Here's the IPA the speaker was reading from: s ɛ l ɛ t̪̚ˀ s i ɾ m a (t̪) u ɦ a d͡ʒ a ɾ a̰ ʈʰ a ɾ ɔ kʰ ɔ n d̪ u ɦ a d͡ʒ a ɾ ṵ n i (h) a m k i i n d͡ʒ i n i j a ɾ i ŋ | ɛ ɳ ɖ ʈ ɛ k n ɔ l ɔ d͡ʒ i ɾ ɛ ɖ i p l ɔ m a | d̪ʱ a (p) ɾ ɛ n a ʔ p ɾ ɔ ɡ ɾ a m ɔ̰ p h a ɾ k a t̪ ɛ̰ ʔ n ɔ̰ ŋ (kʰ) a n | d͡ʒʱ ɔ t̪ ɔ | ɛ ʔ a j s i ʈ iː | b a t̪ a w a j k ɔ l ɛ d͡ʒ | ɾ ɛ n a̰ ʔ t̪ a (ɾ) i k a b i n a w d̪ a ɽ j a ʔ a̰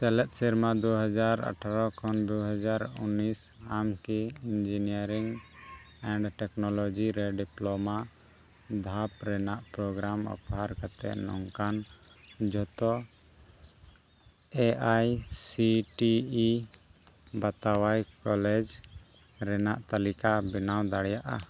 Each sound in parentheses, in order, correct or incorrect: incorrect, incorrect, correct, incorrect, incorrect

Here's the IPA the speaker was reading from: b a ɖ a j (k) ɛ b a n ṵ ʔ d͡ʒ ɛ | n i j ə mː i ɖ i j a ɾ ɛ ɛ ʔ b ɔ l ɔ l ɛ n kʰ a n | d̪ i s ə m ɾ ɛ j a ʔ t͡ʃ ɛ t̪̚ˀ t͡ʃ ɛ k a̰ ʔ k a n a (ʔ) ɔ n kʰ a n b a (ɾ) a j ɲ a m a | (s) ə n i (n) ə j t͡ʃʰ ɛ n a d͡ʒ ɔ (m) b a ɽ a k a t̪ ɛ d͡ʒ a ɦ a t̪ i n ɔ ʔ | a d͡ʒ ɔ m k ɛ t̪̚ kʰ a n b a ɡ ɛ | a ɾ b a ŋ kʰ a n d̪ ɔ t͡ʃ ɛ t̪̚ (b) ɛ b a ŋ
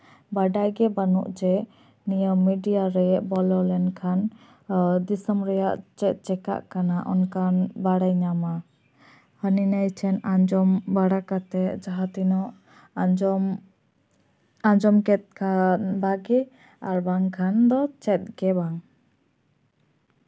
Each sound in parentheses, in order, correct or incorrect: incorrect, correct, incorrect, incorrect, correct, correct, incorrect

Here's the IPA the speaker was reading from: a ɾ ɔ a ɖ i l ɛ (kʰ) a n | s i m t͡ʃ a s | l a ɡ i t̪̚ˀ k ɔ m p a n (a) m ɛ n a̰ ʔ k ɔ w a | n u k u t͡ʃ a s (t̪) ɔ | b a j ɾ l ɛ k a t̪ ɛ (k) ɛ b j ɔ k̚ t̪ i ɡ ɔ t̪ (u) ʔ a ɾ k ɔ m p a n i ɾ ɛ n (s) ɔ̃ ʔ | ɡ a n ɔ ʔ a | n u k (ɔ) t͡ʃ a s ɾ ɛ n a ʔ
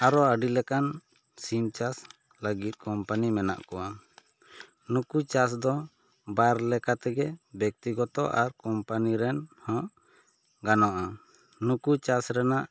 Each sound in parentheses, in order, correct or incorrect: incorrect, incorrect, incorrect, incorrect, incorrect, incorrect, incorrect

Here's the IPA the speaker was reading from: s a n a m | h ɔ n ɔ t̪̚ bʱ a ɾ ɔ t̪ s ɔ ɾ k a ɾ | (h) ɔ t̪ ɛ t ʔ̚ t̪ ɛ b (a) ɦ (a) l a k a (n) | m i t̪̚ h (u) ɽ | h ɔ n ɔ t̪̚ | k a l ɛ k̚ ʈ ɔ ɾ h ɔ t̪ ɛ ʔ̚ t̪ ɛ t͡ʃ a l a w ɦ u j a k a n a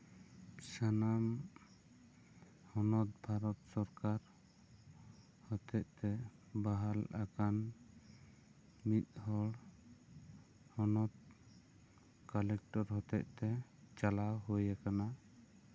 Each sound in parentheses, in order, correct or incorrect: correct, correct, correct, correct, incorrect

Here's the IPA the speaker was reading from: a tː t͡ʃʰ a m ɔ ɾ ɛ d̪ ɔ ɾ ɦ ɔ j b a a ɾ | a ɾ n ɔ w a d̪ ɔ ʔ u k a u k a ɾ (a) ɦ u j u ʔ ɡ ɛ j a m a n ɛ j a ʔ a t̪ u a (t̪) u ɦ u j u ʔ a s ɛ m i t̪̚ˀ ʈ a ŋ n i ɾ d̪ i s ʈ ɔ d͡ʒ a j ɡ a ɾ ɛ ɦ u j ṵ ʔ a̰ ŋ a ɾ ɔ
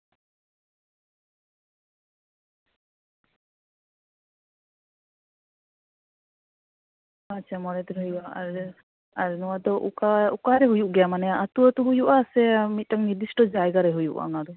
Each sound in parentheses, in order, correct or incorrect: incorrect, correct

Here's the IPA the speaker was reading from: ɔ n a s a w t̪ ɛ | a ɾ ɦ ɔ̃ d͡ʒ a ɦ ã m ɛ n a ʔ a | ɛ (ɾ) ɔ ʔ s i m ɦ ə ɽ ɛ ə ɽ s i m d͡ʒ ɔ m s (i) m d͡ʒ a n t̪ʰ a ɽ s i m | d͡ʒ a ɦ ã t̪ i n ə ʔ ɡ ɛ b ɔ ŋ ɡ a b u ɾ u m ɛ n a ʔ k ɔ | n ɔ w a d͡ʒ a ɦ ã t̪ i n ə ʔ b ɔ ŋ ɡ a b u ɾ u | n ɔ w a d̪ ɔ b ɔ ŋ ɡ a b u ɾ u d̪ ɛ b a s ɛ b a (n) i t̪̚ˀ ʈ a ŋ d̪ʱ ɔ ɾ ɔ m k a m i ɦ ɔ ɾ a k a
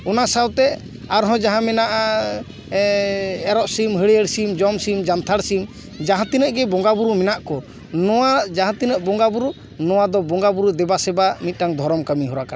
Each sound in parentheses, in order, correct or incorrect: correct, correct, incorrect

